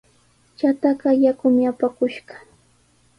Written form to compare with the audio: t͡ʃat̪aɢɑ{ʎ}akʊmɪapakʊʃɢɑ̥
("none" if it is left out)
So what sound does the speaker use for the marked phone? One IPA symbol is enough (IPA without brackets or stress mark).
j